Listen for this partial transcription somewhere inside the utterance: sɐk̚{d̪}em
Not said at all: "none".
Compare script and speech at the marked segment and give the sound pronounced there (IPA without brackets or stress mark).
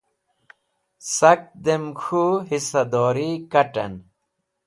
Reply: d̪